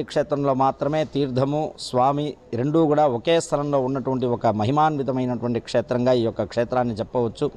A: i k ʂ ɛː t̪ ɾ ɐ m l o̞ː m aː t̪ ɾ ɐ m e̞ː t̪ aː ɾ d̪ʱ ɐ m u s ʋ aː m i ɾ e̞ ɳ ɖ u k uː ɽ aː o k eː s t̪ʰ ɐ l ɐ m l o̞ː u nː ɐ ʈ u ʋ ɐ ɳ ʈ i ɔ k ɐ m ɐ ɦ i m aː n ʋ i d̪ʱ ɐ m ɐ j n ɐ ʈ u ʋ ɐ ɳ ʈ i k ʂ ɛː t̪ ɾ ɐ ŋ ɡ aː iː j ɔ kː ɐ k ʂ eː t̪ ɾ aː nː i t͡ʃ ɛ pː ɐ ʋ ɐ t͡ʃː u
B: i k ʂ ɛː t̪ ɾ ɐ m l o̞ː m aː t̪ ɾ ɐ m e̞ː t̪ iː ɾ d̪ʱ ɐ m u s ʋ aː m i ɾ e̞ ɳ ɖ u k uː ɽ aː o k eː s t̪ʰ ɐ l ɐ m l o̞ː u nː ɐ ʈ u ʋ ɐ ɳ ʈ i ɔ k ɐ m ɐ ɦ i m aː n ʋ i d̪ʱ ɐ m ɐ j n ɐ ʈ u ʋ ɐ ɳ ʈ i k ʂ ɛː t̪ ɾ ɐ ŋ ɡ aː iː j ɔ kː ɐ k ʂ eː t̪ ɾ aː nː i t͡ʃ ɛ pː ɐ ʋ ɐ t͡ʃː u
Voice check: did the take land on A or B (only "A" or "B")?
B